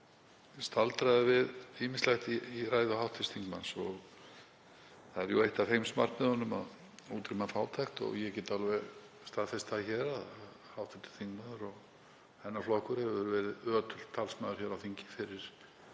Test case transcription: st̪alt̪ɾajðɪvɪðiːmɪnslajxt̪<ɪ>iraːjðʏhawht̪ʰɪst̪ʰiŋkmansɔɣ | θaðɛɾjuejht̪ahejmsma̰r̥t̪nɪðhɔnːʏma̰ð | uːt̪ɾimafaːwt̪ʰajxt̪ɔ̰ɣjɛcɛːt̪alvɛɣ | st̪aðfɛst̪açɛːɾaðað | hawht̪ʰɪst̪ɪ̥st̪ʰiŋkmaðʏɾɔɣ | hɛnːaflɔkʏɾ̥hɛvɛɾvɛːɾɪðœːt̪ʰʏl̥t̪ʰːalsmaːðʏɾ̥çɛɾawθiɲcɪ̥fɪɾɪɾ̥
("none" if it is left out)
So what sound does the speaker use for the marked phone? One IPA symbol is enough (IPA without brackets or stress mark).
i